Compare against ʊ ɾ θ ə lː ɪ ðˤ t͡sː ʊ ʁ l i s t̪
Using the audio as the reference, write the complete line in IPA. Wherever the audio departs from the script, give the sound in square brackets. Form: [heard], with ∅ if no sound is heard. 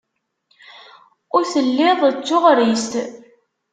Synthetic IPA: ʊ ɾ θ ə lː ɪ ðˤ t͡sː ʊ ʁ [ɾ] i s t̪

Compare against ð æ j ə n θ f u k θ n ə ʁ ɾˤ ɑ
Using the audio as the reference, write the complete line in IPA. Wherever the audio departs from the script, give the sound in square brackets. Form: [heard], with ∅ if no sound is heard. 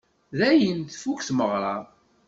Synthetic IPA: ð æ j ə n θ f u k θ [m] ə ʁ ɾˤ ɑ

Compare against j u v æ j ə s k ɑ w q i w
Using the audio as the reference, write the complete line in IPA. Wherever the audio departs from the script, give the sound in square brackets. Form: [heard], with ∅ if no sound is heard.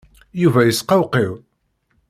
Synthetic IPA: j u v æ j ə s [q] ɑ w q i w

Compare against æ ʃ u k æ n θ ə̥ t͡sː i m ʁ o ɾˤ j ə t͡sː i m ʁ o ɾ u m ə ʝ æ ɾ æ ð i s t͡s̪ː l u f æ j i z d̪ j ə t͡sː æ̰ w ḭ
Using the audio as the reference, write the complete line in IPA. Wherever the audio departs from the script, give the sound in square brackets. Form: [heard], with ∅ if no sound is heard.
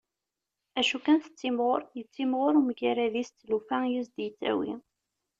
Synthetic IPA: æ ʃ u k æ n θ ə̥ t͡sː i m ʁ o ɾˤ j ə t͡sː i m ʁ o ɾ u m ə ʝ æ ɾ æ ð i s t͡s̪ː l u f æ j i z d̪ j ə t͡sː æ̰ w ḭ

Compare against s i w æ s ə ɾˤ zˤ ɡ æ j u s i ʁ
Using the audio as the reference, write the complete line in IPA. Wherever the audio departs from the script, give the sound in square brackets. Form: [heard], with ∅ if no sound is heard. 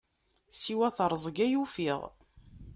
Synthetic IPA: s i w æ [θ] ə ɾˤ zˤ ɡ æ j u [f] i ʁ

